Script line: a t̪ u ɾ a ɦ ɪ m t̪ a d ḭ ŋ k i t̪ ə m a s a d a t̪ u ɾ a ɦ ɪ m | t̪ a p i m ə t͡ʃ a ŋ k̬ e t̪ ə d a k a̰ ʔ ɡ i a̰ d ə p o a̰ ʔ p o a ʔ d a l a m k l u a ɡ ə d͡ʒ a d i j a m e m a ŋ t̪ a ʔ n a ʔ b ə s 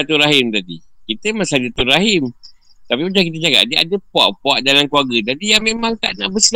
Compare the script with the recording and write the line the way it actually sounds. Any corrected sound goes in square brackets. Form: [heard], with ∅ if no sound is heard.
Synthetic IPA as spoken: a t̪ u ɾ a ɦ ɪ m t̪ a d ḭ [∅] k i t̪ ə m a s a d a t̪ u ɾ a ɦ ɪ m | t̪ a p i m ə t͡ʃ a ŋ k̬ [i] t̪ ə [d͡ʒ] a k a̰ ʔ [d] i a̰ d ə p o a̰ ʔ p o a ʔ d a l a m k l u a ɡ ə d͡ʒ a d i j a m e m a ŋ t̪ a ʔ n a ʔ b ə s